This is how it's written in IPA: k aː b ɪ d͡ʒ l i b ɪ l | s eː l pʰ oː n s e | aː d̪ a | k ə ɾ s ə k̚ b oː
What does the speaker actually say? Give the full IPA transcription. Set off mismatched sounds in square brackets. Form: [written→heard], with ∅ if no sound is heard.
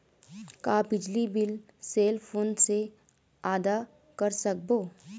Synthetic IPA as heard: k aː b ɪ d͡ʒ l i b ɪ l | s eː l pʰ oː n s e | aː d̪ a | k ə ɾ s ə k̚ b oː